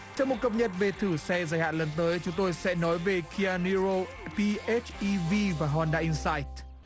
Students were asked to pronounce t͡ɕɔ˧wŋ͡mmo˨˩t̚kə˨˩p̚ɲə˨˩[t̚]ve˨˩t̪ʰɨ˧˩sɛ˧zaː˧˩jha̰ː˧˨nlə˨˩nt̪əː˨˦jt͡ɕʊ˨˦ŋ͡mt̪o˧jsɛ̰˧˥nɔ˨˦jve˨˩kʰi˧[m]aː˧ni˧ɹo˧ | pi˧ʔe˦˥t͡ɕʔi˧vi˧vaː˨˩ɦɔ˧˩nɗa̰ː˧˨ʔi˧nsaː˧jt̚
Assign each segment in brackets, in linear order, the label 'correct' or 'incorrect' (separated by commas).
correct, incorrect